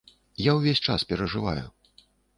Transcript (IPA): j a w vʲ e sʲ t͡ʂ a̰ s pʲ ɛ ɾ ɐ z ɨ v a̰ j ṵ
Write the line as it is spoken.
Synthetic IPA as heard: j a w vʲ e sʲ t͡ʂ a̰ s pʲ ɛ ɾ ɐ ʐ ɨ v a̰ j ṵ